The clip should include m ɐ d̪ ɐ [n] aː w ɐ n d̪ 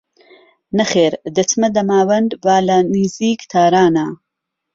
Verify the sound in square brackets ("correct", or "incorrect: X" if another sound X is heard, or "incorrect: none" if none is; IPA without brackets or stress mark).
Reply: incorrect: m